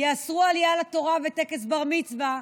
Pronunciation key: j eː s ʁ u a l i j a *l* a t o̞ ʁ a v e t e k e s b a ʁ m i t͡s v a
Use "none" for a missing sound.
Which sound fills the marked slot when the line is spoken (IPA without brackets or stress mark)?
l